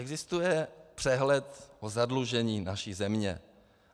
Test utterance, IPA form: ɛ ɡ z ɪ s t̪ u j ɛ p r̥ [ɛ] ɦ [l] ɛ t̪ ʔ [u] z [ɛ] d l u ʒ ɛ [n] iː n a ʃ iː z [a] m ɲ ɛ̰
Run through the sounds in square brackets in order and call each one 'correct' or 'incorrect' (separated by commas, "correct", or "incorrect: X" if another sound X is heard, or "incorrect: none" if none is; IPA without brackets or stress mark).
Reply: correct, correct, incorrect: o, incorrect: a, incorrect: ɲ, incorrect: ɛ